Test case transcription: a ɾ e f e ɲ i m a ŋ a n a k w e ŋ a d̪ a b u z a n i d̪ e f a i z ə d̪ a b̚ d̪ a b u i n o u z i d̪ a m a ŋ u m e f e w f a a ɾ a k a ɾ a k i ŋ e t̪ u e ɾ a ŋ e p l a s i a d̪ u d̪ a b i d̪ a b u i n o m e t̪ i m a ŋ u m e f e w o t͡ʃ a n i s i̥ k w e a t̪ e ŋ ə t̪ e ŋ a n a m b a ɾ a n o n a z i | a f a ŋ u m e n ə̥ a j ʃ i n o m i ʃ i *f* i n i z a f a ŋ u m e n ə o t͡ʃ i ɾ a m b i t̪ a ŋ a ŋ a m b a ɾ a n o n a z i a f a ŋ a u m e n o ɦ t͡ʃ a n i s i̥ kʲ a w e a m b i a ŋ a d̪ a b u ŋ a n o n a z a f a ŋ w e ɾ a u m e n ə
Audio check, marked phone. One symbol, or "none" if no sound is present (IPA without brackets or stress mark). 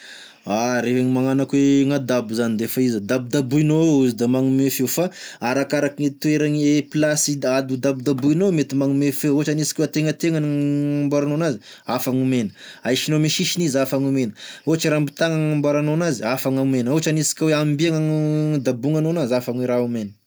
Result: ʃ